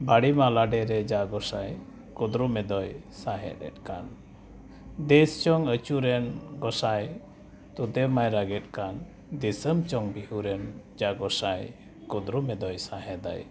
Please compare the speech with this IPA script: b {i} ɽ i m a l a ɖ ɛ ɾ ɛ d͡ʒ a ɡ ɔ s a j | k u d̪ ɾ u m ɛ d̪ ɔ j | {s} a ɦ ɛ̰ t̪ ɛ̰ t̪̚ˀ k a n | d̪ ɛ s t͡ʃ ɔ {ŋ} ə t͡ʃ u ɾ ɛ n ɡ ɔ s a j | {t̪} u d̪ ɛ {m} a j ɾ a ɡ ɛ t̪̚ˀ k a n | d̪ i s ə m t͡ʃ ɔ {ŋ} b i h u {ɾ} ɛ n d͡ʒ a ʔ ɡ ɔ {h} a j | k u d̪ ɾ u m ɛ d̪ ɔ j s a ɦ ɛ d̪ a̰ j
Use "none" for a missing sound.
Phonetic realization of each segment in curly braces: a, s, ŋ, t̪, m, ŋ, ɾ, s

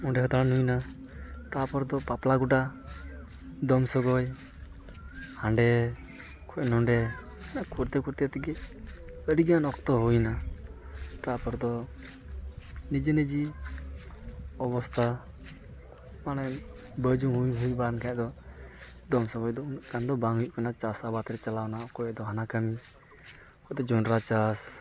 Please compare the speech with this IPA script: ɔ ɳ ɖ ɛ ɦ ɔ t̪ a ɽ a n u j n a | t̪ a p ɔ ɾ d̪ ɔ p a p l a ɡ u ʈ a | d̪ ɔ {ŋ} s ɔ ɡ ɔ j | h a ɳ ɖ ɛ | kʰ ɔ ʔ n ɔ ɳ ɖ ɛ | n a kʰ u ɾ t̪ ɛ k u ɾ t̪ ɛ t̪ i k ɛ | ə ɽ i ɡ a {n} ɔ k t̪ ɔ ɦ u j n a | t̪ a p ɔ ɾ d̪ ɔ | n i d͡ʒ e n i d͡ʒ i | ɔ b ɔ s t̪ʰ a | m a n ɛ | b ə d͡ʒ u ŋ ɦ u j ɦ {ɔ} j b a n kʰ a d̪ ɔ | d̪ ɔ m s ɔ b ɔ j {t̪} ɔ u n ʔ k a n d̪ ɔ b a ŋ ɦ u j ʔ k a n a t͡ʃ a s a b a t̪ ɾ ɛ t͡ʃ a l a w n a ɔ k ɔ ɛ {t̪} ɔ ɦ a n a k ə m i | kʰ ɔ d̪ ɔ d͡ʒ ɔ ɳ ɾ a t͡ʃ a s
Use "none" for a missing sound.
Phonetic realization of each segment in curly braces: m, n, u, d̪, d̪

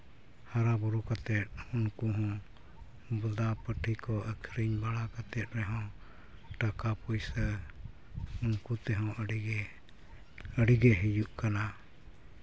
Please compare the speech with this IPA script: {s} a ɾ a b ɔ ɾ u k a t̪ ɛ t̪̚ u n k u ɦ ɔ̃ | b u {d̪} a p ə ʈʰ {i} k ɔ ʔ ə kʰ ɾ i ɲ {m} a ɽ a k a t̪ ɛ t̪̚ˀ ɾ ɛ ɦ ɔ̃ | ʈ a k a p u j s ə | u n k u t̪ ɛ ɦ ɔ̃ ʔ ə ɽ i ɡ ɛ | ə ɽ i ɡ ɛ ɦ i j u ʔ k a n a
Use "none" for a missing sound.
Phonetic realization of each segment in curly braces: h, d̪, i, b

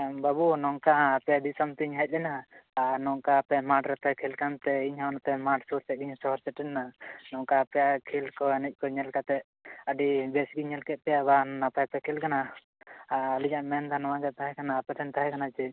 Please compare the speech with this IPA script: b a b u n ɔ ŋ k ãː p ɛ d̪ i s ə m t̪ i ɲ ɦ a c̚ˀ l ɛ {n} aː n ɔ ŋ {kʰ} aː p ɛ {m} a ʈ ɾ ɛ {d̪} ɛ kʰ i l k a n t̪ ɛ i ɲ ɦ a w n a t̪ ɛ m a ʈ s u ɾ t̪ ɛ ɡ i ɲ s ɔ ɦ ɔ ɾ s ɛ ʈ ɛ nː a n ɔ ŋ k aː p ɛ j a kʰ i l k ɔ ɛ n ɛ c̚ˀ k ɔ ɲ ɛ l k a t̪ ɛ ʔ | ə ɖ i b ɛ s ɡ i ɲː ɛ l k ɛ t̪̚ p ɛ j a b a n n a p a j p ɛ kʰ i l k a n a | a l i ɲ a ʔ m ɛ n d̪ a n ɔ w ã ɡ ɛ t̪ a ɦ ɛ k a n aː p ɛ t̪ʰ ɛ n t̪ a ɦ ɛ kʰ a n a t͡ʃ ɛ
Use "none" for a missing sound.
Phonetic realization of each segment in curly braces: n, k, m, t̪

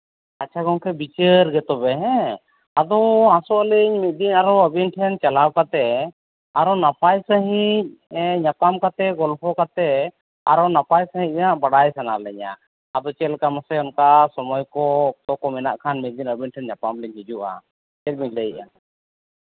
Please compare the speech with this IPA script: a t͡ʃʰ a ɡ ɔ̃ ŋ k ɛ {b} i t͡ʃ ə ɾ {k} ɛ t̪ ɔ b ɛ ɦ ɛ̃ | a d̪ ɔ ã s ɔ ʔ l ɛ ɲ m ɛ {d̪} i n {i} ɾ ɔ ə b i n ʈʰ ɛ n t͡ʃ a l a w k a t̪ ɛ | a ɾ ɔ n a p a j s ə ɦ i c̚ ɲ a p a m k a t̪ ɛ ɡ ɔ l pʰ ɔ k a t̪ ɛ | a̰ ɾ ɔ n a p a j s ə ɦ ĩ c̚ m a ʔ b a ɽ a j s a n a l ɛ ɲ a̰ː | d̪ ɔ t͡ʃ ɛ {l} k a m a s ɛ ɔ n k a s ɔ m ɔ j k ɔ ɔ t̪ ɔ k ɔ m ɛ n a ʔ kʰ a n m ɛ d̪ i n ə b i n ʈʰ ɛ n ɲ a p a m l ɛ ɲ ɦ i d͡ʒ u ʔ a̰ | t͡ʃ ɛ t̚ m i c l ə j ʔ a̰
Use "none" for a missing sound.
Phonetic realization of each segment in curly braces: b, ɡ, d̪, a, l

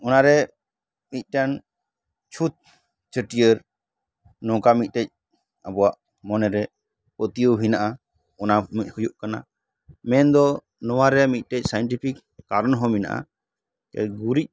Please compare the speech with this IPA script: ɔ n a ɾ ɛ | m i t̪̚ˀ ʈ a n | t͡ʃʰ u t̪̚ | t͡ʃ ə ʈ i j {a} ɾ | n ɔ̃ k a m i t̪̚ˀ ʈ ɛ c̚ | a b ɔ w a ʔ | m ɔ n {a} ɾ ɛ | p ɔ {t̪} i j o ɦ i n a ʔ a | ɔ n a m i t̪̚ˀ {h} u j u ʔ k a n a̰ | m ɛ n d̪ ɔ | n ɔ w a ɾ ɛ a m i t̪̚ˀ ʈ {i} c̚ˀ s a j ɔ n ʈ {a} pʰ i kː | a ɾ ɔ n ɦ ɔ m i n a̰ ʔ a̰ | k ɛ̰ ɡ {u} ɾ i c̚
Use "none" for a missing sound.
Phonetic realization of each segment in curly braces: ə, ɛ, t̪, h, ɛ, i, u

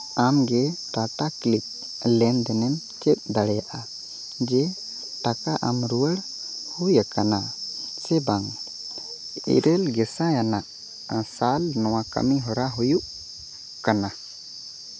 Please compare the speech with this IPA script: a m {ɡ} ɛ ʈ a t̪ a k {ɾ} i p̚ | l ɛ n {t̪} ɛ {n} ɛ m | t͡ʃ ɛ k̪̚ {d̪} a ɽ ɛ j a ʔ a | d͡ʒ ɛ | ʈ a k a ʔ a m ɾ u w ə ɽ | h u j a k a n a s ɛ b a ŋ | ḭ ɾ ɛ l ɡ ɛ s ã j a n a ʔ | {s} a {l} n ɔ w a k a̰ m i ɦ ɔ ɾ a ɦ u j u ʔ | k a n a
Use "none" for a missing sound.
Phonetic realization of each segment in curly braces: ɡ, l, d̪, n, d̪, s, l

